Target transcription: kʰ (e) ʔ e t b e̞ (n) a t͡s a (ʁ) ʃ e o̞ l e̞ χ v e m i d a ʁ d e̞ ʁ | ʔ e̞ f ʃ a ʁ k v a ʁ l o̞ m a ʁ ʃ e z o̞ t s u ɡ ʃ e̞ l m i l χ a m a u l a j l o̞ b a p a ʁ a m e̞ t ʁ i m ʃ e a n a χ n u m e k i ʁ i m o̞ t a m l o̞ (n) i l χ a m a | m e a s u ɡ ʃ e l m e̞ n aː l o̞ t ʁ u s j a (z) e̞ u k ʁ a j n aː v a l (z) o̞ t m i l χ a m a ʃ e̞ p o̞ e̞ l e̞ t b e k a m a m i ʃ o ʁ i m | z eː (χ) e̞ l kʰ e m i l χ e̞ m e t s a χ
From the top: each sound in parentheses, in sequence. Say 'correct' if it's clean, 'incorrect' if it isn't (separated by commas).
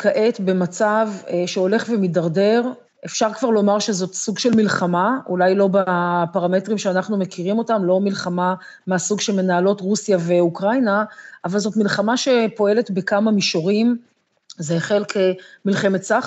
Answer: incorrect, incorrect, incorrect, incorrect, incorrect, correct, correct